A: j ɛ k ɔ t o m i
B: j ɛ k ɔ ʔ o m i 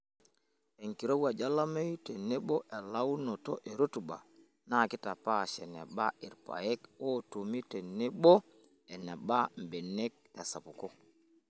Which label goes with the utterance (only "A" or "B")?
A